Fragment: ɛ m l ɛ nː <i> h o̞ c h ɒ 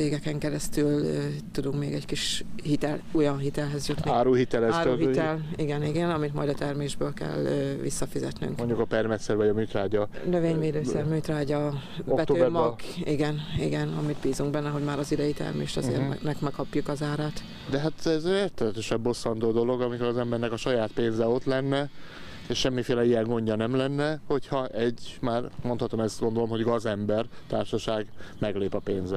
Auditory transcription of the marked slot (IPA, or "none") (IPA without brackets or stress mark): ɛ